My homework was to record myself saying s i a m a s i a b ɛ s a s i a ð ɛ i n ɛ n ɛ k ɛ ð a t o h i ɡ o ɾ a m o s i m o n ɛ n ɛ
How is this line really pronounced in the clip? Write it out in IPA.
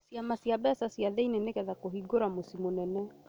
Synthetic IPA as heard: s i a m a s i a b ɛ s a s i a ð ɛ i n ɛ n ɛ k ɛ ð a k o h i ɡ o ɾ a m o s i m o n ɛ n ɛ